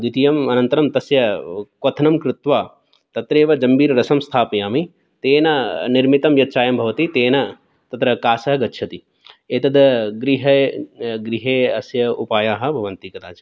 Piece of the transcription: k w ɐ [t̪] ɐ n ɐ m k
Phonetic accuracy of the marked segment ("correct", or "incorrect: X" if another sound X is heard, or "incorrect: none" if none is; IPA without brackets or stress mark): incorrect: t̪ʰ